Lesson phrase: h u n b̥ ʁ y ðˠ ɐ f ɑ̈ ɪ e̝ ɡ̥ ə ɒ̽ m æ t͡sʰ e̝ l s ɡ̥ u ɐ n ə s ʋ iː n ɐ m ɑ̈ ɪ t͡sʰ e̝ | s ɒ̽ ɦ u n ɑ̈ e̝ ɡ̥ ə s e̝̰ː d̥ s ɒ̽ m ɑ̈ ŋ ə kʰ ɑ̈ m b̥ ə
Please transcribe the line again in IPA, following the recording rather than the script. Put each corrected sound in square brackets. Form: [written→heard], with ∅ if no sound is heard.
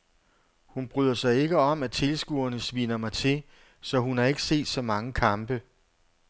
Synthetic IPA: h u n b̥ ʁ y ðˠ ɐ [f→s] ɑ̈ ɪ e̝ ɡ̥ ə ɒ̽ m æ t͡sʰ e̝ l s ɡ̥ u ɐ n ə s ʋ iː n ɐ m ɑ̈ ɪ t͡sʰ e̝ | s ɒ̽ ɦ u n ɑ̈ e̝ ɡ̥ ə s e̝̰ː d̥ s ɒ̽ m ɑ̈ ŋ ə kʰ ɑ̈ m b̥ ə